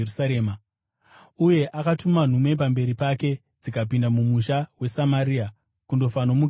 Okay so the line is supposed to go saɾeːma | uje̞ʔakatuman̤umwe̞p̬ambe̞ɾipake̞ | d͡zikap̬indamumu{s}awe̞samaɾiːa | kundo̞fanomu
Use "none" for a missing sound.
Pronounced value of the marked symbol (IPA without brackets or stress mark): ʃ